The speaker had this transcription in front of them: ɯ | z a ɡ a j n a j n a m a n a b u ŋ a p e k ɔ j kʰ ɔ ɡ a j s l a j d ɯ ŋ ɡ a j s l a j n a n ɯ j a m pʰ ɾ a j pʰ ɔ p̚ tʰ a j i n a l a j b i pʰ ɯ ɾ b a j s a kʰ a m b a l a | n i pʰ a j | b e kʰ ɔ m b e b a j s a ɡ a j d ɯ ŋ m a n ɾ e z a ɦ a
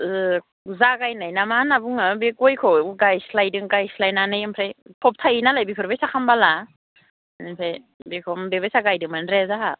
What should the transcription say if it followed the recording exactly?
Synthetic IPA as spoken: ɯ | z a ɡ a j n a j n a m a n a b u ŋ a b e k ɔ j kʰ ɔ ɡ a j s l a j d ɯ ŋ ɡ a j s l a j n a n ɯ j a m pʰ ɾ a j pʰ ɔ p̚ tʰ a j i n a l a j b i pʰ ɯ ɾ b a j s a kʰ a m b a l a | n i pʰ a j | b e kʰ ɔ m b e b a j s a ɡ a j d ɯ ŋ m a n ɾ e z a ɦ a